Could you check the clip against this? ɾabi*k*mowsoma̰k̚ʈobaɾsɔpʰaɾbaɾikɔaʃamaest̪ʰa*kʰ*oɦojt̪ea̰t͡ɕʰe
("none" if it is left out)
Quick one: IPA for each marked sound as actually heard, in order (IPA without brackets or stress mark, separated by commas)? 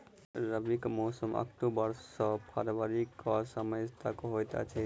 k, k